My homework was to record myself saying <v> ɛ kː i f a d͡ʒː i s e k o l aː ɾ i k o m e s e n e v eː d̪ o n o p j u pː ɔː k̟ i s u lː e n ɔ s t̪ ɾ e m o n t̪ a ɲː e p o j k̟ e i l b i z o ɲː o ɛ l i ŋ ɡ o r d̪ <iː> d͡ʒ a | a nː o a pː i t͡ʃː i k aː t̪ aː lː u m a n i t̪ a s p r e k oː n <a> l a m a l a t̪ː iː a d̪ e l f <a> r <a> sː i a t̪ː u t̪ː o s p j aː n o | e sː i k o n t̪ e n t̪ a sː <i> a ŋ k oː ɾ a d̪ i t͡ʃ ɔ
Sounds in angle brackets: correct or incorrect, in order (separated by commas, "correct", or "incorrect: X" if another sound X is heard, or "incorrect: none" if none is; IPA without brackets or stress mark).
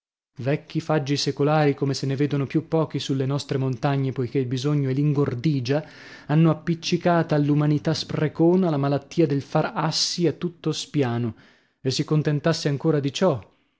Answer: correct, correct, correct, correct, correct, incorrect: e